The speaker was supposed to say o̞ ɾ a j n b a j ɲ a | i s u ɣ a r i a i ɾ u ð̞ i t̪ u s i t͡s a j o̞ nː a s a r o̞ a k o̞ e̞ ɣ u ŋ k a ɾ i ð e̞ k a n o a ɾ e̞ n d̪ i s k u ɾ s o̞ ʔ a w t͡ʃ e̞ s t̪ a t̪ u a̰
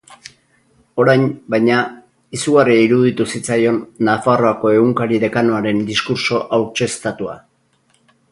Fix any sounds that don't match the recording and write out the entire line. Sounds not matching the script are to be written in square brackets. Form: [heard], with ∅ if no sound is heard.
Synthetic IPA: o̞ ɾ a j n b a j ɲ a | i s u ɣ a r i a i ɾ u ð̞ i t̪ u s i t͡s a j o̞ nː a [f] a r o̞ a k o̞ e̞ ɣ u ŋ k a ɾ i ð e̞ k a n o a ɾ e̞ n d̪ i s k u ɾ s o̞ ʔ a w t͡ʃ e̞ s t̪ a t̪ u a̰